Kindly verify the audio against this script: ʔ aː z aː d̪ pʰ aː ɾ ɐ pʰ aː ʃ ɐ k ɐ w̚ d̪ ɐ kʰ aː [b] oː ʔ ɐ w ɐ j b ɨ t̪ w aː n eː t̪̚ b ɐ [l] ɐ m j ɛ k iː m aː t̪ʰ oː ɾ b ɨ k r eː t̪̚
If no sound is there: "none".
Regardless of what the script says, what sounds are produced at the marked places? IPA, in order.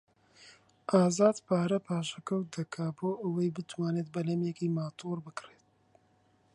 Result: b, l

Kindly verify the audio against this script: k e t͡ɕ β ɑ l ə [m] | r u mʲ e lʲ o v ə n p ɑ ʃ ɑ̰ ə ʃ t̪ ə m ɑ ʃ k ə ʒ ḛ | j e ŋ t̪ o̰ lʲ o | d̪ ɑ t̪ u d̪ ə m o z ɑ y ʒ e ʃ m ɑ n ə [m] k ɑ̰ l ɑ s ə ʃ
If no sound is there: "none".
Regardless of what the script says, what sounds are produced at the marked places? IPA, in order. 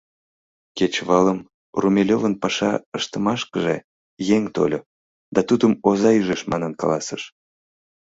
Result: m, n

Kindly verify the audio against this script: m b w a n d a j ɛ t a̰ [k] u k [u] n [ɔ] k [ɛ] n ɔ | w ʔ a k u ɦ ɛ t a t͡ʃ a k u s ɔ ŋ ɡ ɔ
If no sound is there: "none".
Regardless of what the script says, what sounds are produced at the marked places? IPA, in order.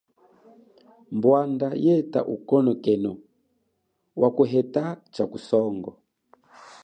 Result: ʔ, ɔ, ɔ, ɛ

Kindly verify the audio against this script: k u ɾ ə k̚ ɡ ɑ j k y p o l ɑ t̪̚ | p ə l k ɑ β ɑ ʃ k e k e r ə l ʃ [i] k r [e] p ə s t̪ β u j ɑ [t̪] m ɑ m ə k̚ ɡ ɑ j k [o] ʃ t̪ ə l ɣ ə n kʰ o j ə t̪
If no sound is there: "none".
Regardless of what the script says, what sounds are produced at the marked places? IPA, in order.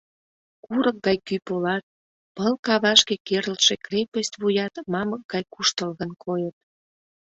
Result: e, e, t̪, u

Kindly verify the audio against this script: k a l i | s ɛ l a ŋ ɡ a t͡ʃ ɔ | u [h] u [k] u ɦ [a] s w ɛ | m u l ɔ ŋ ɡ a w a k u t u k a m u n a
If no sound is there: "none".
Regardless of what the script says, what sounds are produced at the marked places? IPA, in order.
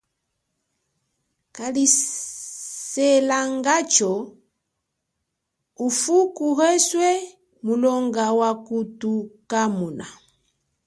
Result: f, k, ɛ

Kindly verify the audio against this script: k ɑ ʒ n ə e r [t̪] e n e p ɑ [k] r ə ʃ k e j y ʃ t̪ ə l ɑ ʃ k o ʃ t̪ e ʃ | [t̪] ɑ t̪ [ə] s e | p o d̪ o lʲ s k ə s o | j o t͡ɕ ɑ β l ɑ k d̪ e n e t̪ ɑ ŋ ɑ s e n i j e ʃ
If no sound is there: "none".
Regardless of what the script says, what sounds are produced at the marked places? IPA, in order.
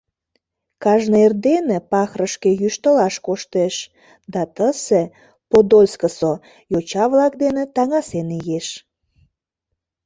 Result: d̪, x, d̪, ə

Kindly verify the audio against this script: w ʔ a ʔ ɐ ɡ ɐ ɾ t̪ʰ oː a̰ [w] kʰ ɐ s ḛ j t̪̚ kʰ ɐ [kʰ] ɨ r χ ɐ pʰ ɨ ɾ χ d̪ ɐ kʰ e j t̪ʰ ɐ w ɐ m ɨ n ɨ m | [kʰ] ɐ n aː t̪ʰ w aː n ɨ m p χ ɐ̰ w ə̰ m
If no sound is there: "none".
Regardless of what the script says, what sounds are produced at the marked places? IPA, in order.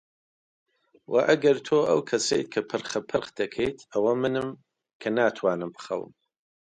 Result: w, pʰ, kʰ

